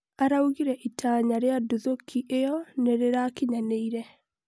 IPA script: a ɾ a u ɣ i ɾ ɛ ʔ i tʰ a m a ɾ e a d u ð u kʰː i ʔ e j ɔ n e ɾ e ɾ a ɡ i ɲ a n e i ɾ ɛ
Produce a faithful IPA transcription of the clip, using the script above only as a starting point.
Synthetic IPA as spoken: a ɾ a u ɣ i ɾ ɛ ʔ i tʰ a ɲ a ɾ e a d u ð o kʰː i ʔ e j ɔ n e ɾ e ɾ a k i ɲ a n e i ɾ ɛ